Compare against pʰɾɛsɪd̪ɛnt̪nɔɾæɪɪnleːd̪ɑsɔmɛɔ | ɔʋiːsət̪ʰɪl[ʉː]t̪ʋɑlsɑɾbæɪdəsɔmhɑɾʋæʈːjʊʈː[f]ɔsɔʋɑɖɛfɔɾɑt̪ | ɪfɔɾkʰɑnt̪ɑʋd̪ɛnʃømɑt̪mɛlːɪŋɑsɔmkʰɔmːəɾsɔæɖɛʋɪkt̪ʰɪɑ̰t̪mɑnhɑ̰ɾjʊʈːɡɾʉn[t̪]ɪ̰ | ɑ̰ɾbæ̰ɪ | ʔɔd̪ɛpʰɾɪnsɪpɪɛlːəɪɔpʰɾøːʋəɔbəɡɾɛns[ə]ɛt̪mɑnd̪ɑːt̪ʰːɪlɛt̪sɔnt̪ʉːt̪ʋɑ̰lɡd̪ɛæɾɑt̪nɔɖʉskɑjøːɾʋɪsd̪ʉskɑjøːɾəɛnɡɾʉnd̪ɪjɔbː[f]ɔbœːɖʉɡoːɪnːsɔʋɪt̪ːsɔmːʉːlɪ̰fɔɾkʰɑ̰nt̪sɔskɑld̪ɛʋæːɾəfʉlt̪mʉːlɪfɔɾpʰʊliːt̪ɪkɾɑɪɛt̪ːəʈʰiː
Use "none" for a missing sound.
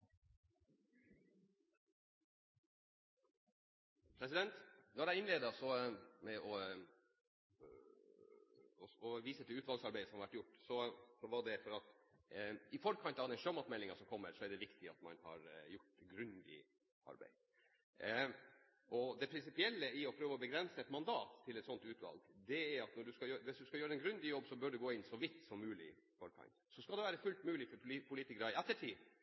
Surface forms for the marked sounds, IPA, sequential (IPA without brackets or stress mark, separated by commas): ʉː, s, d̪, ə, s